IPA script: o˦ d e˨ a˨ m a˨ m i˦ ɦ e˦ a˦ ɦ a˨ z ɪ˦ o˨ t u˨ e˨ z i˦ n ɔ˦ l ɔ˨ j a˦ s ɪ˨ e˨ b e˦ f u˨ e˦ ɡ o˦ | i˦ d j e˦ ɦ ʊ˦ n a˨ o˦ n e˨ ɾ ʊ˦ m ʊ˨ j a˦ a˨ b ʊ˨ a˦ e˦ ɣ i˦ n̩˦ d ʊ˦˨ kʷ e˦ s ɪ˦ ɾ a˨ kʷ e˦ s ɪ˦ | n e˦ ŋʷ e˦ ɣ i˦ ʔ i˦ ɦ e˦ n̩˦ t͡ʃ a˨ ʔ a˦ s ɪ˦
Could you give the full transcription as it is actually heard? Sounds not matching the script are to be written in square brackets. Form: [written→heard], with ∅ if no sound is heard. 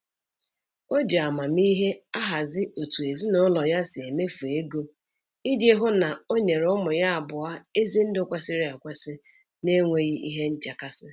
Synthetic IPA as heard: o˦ [d→d͡ʒ] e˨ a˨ m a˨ m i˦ ɦ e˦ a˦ ɦ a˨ z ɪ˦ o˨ t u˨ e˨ z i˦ n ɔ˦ l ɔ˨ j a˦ s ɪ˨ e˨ [b→m] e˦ f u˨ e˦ ɡ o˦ | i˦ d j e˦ ɦ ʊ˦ n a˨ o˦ [n→ɲ] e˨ ɾ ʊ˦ m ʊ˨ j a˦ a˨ b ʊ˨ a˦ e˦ [ɣ→z] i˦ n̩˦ d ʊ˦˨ kʷ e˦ s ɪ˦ ɾ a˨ kʷ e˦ s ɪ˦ | n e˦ ŋʷ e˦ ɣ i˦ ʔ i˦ ɦ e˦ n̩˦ t͡ʃ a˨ [ʔ→k] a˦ s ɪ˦

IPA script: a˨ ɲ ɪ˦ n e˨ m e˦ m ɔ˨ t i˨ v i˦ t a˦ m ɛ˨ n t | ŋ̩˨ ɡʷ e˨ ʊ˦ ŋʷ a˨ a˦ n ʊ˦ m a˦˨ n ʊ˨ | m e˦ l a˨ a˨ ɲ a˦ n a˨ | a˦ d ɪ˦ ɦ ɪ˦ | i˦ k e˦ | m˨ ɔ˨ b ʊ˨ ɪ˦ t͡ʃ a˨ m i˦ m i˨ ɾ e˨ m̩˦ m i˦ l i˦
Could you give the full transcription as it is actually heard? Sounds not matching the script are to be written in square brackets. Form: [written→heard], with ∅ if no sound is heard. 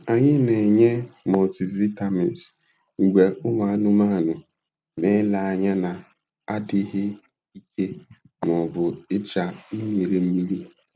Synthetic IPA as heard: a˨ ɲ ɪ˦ n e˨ [m→ɲ] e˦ m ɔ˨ t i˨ v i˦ t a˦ m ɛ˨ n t | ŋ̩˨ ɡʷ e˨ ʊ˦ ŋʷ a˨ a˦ n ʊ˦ m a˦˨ n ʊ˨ | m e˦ l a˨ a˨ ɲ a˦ n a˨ | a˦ d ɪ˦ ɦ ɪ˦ | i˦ k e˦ | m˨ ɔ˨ b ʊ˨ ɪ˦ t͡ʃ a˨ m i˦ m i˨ ɾ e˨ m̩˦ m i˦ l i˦

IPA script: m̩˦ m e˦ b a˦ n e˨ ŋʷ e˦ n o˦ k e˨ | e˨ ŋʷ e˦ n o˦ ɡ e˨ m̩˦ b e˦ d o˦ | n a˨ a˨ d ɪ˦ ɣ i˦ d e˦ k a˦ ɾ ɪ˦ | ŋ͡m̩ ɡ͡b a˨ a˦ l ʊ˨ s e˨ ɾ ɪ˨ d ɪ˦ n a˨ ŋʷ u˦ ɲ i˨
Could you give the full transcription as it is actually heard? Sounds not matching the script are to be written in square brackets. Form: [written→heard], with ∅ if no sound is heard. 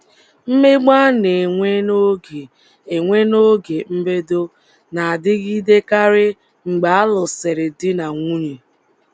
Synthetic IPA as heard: m̩˦ m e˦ [b→ɡ͡b] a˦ n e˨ ŋʷ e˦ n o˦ [k→ɡ] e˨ | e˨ ŋʷ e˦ n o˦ ɡ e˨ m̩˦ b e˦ d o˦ | n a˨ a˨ d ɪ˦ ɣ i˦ d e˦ k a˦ ɾ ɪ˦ | ŋ͡m̩ ɡ͡b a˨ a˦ l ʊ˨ s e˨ ɾ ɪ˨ d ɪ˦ n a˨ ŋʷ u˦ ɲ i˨

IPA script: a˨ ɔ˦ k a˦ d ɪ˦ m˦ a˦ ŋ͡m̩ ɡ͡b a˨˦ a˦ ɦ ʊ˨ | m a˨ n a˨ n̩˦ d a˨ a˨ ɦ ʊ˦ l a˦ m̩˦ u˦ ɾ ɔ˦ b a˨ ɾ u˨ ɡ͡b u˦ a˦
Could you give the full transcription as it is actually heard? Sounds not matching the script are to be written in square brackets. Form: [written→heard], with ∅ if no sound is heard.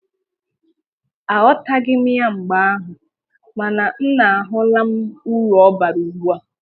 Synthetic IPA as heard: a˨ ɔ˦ [k→t] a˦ [d→ɡ] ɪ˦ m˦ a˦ ŋ͡m̩ ɡ͡b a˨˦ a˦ ɦ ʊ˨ | m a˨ n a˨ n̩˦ [d→n] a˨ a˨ ɦ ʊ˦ l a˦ m̩˦ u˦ ɾ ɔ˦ b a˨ ɾ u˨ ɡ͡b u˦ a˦

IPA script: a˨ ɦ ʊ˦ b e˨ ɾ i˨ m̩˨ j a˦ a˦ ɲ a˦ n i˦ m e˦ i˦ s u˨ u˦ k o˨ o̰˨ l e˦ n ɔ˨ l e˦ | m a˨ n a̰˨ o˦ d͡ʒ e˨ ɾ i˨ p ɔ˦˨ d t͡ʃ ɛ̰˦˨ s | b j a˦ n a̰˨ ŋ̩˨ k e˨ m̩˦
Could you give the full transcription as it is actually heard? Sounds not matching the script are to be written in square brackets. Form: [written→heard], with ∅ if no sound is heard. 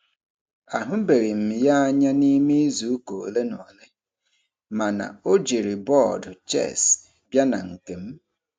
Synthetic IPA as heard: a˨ ɦ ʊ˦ b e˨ ɾ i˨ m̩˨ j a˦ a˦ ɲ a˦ n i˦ m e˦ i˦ [s→z] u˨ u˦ k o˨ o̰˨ l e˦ n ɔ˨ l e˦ | m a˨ n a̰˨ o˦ d͡ʒ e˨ ɾ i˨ [p→b] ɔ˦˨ d t͡ʃ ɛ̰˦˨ s | b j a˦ n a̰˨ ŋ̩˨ k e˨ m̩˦

